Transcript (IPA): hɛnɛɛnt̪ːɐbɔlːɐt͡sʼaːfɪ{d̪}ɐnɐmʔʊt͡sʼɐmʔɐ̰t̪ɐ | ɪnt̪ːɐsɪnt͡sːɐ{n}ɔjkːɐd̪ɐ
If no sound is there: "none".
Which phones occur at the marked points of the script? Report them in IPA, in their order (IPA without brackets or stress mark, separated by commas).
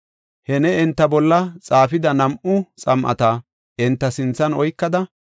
d̪, n